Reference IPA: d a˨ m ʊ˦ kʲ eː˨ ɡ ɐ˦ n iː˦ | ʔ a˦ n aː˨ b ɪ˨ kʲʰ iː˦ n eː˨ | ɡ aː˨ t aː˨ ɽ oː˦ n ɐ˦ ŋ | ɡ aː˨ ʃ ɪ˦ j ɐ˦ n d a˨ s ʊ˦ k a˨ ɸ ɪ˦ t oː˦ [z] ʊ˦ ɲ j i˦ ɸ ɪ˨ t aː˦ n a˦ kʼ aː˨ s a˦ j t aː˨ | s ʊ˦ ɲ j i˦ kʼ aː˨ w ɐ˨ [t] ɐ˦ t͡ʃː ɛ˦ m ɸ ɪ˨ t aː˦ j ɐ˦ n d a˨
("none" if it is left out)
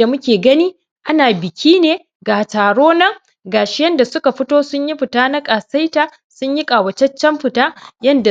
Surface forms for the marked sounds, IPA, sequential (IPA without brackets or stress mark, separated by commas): s, t͡ʃ